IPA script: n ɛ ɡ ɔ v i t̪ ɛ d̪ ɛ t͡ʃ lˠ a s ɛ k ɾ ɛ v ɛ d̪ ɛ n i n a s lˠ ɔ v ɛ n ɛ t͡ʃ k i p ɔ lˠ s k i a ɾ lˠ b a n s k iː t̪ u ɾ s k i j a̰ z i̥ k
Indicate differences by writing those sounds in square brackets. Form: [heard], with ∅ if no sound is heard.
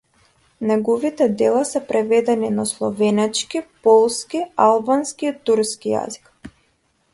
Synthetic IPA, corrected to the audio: n ɛ ɡ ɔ v i t̪ ɛ d̪ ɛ [∅] lˠ a s ɛ [p] ɾ ɛ v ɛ d̪ ɛ n i n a s lˠ ɔ v ɛ n ɛ t͡ʃ k i p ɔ lˠ s k i a [∅] lˠ b a n s k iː t̪ u ɾ s k i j a̰ z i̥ k